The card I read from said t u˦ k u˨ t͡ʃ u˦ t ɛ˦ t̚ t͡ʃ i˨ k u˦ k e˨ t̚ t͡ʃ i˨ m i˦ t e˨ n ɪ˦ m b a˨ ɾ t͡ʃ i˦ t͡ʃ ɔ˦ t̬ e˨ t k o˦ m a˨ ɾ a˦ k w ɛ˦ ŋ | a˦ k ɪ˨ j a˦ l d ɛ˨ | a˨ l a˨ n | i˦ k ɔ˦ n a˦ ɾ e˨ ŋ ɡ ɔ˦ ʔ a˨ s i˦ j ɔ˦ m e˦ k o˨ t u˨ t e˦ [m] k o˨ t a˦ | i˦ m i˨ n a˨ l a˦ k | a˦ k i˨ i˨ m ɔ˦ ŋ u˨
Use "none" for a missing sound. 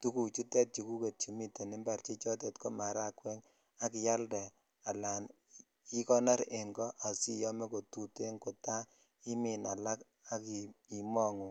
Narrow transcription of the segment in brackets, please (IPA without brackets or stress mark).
ŋ